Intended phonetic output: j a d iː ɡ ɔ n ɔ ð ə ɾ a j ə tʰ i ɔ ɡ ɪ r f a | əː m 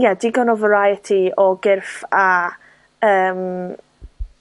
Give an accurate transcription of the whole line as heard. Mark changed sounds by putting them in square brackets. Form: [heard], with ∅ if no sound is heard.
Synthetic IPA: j a d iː ɡ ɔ n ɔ [v] ə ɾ a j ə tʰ i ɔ ɡ ɪ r f a | əː m